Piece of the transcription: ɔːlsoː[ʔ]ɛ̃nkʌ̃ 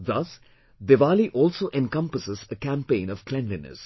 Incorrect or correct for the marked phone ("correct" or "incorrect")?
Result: correct